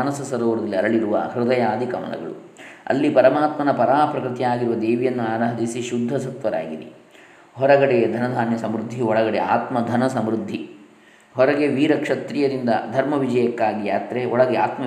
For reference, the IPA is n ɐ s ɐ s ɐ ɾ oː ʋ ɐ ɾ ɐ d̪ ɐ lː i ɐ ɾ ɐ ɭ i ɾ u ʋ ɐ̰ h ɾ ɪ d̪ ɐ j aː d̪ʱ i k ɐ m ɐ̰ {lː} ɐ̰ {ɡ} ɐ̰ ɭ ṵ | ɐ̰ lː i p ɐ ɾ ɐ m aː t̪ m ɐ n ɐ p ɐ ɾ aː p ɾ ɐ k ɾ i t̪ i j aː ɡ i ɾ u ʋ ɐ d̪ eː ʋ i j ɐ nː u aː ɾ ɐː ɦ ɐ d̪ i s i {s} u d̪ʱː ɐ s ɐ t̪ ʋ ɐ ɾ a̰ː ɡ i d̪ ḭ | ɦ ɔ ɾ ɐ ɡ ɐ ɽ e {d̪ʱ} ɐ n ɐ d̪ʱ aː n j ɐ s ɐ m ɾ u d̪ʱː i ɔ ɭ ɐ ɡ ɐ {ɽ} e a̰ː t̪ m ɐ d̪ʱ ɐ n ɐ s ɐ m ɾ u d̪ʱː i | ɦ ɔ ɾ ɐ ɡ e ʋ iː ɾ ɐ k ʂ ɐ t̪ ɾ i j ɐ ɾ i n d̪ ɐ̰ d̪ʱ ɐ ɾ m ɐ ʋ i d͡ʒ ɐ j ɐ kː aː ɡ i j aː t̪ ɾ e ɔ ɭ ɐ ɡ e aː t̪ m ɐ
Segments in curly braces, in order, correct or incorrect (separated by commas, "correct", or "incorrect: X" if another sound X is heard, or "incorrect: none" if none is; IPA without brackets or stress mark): incorrect: l, correct, incorrect: ʃ, correct, correct